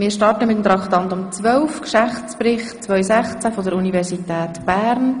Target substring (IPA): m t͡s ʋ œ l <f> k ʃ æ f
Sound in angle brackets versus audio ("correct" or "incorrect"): correct